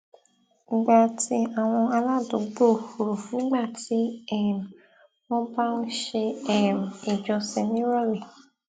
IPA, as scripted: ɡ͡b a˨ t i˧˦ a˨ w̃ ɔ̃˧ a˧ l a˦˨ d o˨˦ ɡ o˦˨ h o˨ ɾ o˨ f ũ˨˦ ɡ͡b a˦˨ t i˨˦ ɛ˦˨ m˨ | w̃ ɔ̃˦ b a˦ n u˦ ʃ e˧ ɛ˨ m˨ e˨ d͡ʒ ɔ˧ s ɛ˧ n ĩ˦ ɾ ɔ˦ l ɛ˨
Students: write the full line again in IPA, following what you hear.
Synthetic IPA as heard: ɡ͡b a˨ t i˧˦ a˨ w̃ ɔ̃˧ a˧ l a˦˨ d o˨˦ ɡ͡b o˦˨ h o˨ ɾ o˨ f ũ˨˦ ɡ͡b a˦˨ t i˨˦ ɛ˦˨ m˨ | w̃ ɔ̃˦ b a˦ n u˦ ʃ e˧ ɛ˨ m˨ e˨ d͡ʒ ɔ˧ s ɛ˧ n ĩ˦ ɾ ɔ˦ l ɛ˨